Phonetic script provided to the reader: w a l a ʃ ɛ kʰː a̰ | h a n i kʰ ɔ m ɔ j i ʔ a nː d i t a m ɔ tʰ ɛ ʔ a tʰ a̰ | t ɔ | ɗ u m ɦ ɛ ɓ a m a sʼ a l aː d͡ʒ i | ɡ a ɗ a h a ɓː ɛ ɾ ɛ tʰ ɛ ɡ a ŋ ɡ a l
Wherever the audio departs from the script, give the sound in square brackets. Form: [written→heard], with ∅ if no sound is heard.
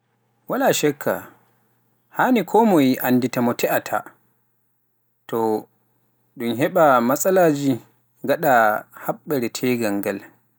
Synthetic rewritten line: w a l a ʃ ɛ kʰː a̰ | h a n i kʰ ɔ m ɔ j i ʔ a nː d i t a m ɔ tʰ ɛ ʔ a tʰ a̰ | t ɔ | ɗ u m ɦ ɛ ɓ a m a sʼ a l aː d͡ʒ i | ɡ a ɗ a h a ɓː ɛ ɾ ɛ tʰ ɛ ɡ a ŋ ɡ a l